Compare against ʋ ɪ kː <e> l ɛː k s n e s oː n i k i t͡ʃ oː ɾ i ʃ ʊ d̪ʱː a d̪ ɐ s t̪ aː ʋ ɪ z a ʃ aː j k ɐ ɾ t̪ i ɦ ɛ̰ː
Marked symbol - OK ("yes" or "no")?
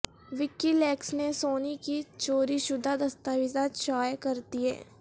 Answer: no